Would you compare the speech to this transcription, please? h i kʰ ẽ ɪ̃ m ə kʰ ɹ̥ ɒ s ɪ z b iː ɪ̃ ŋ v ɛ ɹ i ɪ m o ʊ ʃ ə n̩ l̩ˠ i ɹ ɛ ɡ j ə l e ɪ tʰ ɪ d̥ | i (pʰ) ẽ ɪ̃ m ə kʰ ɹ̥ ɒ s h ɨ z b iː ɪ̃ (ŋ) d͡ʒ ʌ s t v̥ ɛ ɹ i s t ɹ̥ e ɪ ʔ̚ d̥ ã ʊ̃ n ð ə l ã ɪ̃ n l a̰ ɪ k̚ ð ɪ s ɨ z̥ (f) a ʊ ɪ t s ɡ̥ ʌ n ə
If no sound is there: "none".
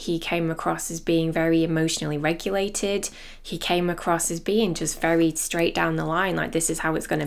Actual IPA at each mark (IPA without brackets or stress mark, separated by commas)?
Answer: kʰ, ŋ, h